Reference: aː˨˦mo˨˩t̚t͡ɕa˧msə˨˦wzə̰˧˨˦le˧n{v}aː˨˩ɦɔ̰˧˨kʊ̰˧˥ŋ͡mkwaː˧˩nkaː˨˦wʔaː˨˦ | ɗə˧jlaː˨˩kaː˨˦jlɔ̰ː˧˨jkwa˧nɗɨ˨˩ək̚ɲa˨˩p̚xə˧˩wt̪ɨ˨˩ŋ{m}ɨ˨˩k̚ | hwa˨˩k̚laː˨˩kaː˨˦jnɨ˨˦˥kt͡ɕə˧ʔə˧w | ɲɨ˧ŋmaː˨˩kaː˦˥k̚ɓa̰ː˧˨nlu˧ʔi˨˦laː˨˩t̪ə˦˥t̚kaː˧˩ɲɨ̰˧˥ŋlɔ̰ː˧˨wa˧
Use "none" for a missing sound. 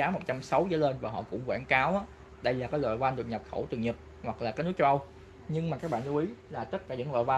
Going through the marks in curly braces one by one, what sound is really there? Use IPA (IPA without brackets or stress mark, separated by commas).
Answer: v, ɲ